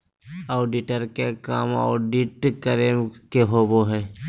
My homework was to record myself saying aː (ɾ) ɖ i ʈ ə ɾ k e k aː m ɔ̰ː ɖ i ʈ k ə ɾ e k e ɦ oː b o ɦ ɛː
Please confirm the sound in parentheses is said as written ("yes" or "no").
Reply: no